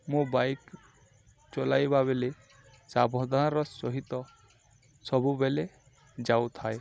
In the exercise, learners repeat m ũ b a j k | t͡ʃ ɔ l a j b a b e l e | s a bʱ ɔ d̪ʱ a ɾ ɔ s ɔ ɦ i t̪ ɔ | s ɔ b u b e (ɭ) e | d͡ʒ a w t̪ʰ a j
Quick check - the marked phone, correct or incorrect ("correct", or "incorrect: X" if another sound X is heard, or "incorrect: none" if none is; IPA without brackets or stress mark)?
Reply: incorrect: l